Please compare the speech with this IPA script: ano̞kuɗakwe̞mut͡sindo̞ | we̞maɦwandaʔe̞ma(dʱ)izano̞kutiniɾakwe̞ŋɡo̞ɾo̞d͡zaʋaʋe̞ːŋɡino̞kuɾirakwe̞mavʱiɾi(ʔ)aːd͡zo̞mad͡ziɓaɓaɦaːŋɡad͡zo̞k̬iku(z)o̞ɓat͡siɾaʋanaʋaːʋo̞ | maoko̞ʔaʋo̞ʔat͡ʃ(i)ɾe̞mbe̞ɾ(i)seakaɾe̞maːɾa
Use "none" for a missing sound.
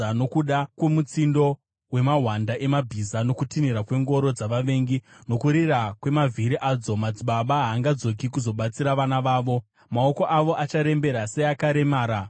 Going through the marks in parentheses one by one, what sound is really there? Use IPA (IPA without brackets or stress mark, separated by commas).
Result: bʱ, ʔ, z, a, a